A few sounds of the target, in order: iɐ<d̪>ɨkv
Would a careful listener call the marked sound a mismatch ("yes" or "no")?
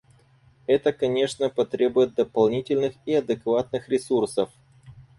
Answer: no